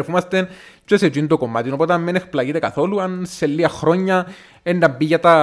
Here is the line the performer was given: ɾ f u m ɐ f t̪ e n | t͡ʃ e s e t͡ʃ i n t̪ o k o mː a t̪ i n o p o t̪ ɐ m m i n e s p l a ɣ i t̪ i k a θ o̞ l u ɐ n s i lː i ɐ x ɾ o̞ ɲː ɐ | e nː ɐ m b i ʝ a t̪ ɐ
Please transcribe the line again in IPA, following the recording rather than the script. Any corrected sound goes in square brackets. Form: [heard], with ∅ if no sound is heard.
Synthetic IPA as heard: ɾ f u m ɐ [s] t̪ e n | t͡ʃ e s e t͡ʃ i n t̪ o k o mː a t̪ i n o p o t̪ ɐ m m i n e [x] p l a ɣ i t̪ [e] k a θ o̞ l u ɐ n s [e] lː i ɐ x ɾ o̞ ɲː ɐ | e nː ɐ m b i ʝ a t̪ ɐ